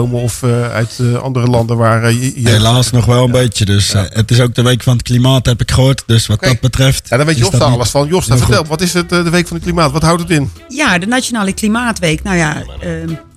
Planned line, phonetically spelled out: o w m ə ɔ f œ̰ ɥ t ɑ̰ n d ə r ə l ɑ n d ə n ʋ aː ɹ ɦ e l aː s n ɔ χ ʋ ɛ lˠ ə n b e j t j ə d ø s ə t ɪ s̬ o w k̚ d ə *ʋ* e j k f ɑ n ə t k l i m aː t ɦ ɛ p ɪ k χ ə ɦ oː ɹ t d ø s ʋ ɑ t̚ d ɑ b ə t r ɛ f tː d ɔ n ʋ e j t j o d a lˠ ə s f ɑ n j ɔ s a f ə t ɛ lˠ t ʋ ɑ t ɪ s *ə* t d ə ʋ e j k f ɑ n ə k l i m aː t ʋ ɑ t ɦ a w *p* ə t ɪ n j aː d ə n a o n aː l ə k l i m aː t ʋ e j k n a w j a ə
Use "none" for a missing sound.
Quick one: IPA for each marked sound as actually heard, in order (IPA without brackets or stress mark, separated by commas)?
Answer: ʋ, ə, t